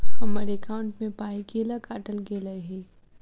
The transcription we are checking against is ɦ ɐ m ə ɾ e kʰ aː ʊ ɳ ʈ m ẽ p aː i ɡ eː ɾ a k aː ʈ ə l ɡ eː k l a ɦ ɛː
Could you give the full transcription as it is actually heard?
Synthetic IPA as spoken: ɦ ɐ m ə ɾ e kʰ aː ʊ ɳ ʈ m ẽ p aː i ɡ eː l a k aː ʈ ə l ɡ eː l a ɦ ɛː